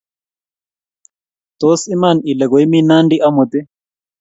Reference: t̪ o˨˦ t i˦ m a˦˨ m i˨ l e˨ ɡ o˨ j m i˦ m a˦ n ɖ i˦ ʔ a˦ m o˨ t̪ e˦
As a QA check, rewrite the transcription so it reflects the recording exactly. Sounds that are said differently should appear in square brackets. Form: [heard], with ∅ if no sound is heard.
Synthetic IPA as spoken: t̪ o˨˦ [s] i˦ m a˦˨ [n] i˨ l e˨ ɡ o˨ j m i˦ [n] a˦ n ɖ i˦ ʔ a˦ m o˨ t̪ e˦